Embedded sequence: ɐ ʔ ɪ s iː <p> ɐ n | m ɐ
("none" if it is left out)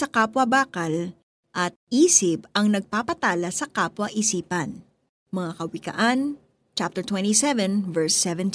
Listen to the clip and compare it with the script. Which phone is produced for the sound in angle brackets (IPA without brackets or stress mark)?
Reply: p